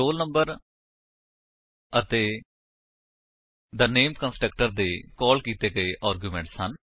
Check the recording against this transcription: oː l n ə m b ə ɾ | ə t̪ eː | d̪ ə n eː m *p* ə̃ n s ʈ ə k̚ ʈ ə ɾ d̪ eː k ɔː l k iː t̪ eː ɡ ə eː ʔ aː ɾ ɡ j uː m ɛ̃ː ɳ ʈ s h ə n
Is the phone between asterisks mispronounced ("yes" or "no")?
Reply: yes